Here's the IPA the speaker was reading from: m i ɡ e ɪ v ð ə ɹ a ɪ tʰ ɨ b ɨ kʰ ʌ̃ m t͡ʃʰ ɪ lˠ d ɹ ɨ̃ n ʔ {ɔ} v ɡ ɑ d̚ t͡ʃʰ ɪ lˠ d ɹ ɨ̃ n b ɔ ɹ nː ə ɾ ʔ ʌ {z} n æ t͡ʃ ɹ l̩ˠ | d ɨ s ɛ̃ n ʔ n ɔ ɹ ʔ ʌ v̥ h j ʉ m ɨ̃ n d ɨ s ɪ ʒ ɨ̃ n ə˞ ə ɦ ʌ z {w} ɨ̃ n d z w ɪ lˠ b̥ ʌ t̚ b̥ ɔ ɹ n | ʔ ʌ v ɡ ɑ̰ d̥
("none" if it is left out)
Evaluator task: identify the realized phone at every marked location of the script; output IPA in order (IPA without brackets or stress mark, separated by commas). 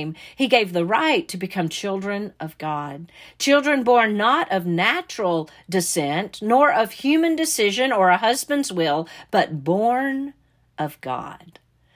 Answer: ʌ, v, b